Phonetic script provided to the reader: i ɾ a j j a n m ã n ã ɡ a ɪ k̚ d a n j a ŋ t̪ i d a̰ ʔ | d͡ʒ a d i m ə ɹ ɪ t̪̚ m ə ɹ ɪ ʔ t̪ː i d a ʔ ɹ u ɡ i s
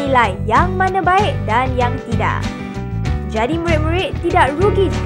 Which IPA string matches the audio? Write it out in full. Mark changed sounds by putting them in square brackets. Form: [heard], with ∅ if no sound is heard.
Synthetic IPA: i [l] a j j a [ŋ] m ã n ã [b] a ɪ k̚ d a n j a ŋ t̪ i d a̰ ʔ | d͡ʒ a d i m ə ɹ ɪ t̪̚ m ə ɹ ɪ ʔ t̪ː i d a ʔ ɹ u ɡ i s